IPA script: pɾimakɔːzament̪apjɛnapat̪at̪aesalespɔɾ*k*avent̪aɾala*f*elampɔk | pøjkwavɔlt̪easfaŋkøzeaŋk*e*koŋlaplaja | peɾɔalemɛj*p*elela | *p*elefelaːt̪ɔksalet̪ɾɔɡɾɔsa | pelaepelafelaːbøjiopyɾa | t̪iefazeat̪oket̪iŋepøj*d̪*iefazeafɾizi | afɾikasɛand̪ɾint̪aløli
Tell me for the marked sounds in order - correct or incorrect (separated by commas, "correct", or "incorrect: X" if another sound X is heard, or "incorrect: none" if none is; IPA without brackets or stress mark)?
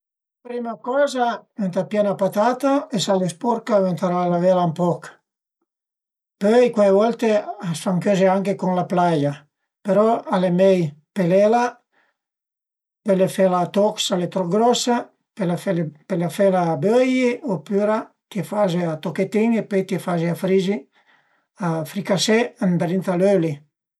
correct, incorrect: v, correct, correct, correct, incorrect: t̪